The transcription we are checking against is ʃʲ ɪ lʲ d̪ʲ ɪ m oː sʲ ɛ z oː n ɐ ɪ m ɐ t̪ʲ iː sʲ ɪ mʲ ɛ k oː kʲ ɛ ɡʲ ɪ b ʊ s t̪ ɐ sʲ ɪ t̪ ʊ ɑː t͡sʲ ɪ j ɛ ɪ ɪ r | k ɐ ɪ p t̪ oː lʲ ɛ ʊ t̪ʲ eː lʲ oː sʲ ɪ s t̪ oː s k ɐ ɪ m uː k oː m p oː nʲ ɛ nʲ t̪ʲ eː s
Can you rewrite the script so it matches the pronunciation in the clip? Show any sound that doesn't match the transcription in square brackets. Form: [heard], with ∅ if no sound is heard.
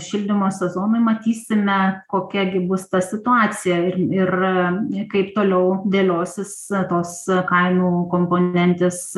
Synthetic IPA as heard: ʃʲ ɪ lʲ d̪ʲ ɪ m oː sʲ ɛ z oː n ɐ ɪ m ɐ t̪ʲ iː sʲ ɪ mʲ ɛ k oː kʲ ɛ ɡʲ ɪ b ʊ s t̪ ɐ sʲ ɪ t̪ ʊ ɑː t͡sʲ ɪ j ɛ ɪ ɪ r | k ɐ ɪ p t̪ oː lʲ ɛ ʊ [d̪ʲ] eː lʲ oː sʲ ɪ s t̪ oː s k ɐ ɪ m uː k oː m p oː nʲ ɛ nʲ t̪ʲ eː s

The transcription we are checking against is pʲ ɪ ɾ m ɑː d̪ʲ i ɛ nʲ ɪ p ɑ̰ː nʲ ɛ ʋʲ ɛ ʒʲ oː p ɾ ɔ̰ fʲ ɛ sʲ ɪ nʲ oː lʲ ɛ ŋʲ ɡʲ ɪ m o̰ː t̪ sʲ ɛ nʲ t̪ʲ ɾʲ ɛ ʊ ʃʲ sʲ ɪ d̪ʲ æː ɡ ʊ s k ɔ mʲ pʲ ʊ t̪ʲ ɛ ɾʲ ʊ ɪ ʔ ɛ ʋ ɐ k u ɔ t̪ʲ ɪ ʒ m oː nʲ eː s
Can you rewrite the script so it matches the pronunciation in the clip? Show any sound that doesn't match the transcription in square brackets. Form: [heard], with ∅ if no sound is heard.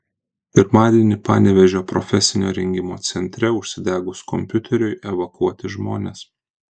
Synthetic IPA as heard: pʲ ɪ ɾ m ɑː d̪ʲ i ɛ nʲ ɪ p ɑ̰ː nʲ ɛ ʋʲ ɛ ʒʲ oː p ɾ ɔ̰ fʲ ɛ sʲ ɪ nʲ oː [ɾʲ] ɛ ŋʲ ɡʲ ɪ m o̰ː t̪ sʲ ɛ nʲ t̪ʲ ɾʲ ɛ ʊ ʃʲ sʲ ɪ d̪ʲ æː ɡ ʊ s k ɔ mʲ pʲ ʊ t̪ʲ ɛ ɾʲ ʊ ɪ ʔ ɛ ʋ ɐ k u ɔ t̪ʲ ɪ ʒ m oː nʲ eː s

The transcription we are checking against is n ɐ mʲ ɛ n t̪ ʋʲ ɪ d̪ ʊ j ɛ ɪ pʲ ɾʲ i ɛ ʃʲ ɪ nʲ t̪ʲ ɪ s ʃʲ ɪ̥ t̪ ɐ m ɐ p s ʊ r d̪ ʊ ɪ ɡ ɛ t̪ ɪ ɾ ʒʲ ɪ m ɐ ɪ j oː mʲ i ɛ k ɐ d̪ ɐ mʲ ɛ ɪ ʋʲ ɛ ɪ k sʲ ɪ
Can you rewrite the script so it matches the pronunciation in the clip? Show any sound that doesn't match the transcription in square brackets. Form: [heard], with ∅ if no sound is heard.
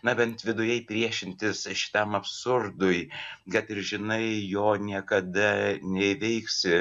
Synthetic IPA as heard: n ɐ [bʲ] ɛ n t̪ ʋʲ ɪ d̪ ʊ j ɛ ɪ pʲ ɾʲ i ɛ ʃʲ ɪ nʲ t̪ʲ ɪ s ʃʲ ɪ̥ t̪ ɐ m ɐ p s ʊ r d̪ ʊ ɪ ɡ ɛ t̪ ɪ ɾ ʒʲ ɪ [n] ɐ ɪ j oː [nʲ] i ɛ k ɐ d̪ ɐ [nʲ] ɛ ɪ ʋʲ ɛ ɪ k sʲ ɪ

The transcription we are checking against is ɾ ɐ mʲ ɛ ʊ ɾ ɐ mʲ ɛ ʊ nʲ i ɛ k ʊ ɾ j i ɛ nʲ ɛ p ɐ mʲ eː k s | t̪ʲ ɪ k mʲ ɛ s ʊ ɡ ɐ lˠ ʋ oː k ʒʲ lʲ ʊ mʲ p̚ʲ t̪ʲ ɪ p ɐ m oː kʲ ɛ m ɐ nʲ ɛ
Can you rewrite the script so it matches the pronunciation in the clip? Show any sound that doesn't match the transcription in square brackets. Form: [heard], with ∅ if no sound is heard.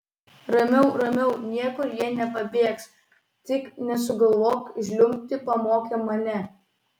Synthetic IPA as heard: ɾ ɐ mʲ ɛ ʊ ɾ ɐ mʲ ɛ ʊ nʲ i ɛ k ʊ ɾ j i ɛ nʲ ɛ p ɐ [bʲ] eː k s | t̪ʲ ɪ k [nʲ] ɛ s ʊ ɡ ɐ lˠ ʋ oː k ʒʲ lʲ ʊ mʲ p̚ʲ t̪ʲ ɪ p ɐ m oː kʲ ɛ m ɐ nʲ ɛ

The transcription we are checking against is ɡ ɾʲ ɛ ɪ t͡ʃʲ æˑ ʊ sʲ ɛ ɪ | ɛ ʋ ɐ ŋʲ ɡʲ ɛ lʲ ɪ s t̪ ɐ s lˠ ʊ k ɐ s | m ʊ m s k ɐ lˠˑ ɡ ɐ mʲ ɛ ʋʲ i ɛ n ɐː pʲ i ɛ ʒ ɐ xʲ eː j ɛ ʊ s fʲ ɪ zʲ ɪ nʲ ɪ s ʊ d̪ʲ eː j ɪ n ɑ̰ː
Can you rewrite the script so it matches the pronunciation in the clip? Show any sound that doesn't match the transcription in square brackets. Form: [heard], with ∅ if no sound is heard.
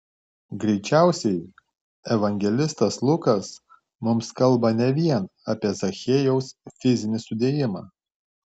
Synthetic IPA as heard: ɡ ɾʲ ɛ ɪ t͡ʃʲ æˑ ʊ sʲ ɛ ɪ | ɛ ʋ ɐ ŋʲ ɡʲ ɛ lʲ ɪ s t̪ ɐ s lˠ ʊ k ɐ s | m ʊ m s k ɐ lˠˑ [b] ɐ [nʲ] ɛ ʋʲ i ɛ n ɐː pʲ i ɛ [z] ɐ xʲ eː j ɛ ʊ s fʲ ɪ zʲ ɪ nʲ ɪ s ʊ d̪ʲ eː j ɪ [m] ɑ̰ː

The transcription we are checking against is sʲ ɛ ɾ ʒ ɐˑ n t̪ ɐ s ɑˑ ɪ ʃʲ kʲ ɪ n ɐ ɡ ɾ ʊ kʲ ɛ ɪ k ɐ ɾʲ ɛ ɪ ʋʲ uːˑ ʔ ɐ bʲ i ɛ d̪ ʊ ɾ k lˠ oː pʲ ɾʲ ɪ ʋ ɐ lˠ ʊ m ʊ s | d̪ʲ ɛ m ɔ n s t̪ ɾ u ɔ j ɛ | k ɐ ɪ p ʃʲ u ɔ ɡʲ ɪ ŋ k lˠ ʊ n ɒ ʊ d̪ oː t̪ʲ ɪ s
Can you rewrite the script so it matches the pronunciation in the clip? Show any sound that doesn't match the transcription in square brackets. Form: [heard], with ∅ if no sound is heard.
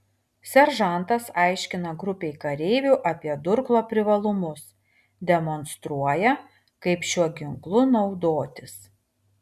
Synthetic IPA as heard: sʲ ɛ ɾ ʒ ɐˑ n t̪ ɐ s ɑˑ ɪ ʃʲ kʲ ɪ n ɐ ɡ ɾ ʊ [pʲ] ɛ ɪ k ɐ ɾʲ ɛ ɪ ʋʲ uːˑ ʔ ɐ [pʲ] i ɛ d̪ ʊ ɾ k lˠ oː pʲ ɾʲ ɪ ʋ ɐ lˠ ʊ m ʊ s | d̪ʲ ɛ m ɔ n s t̪ ɾ u ɔ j ɛ | k ɐ ɪ p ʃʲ u ɔ ɡʲ ɪ ŋ k lˠ ʊ n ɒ ʊ d̪ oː t̪ʲ ɪ s

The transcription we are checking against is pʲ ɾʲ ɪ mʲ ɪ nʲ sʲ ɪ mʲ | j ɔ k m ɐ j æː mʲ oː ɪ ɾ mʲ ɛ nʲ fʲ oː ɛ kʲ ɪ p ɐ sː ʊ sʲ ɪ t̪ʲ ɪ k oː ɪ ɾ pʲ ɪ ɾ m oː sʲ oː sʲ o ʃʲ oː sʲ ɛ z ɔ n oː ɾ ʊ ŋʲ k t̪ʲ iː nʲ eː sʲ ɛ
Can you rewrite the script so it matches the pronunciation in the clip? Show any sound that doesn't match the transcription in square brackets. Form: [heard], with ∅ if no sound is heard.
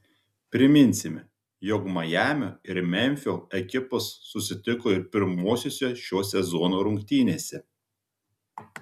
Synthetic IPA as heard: pʲ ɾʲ ɪ mʲ ɪ nʲ sʲ ɪ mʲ | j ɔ k m ɐ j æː mʲ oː ɪ ɾ mʲ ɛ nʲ fʲ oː ɛ kʲ ɪ p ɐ sː ʊ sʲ ɪ t̪ʲ ɪ k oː ɪ ɾ pʲ ɪ ɾ m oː sʲ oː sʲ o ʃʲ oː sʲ ɛ z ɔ n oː ɾ ʊ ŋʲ k t̪ʲ iː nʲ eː sʲ ɛ

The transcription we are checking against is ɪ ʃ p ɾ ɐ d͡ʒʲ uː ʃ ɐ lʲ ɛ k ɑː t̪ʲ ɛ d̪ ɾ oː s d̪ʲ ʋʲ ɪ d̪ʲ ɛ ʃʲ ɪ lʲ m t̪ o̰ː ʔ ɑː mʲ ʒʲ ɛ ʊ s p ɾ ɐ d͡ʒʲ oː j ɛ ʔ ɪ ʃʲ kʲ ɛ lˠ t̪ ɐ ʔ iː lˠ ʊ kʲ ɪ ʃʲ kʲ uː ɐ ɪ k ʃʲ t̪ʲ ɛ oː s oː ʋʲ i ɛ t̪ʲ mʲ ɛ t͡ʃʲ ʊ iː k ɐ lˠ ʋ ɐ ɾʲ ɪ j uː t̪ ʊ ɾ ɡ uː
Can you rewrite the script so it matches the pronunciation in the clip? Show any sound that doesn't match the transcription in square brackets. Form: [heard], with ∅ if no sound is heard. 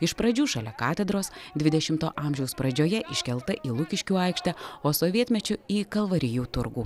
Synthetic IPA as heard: ɪ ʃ p ɾ ɐ d͡ʒʲ uː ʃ ɐ lʲ ɛ k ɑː t̪ʲ ɛ d̪ ɾ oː s d̪ʲ ʋʲ ɪ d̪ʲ ɛ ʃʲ ɪ [∅] m t̪ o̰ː ʔ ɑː mʲ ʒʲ ɛ ʊ s p ɾ ɐ d͡ʒʲ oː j ɛ ʔ ɪ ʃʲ kʲ ɛ lˠ t̪ ɐ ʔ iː lˠ ʊ kʲ ɪ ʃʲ kʲ uː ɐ ɪ k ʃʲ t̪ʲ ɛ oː s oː ʋʲ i ɛ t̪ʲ mʲ ɛ t͡ʃʲ ʊ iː k ɐ lˠ ʋ ɐ ɾʲ ɪ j uː t̪ ʊ ɾ ɡ uː

